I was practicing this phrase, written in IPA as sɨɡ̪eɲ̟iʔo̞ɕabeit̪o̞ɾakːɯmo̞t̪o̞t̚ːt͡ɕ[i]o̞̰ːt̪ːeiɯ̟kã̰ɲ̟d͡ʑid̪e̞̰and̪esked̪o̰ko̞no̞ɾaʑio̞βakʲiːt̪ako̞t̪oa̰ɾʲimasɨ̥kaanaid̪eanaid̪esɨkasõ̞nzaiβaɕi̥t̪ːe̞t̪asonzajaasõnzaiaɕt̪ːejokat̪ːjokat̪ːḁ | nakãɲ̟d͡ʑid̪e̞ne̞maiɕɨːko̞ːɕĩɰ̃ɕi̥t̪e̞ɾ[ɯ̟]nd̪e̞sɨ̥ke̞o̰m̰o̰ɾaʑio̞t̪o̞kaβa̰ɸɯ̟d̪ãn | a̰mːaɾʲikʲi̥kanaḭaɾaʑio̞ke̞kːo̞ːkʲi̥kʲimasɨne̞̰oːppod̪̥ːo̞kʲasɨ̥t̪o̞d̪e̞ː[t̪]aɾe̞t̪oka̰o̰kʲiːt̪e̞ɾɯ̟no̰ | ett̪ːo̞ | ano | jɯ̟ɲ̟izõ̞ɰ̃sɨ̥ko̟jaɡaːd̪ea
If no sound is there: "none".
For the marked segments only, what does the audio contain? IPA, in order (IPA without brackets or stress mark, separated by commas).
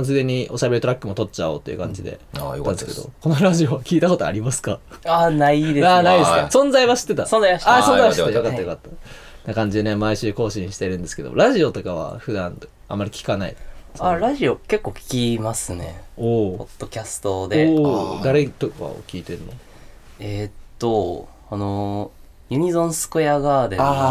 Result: a, ɯ̟̃, d̪